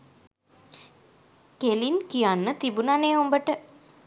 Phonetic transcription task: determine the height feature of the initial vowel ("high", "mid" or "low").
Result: mid